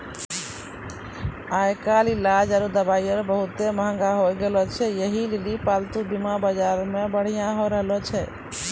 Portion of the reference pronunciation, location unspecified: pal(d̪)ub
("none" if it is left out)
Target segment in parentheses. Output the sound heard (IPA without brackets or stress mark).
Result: t̪